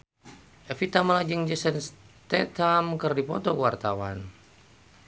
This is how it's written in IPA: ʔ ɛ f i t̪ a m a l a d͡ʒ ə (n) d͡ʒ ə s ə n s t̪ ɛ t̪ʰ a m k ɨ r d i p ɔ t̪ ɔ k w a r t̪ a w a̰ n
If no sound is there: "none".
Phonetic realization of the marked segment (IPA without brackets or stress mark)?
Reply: ŋ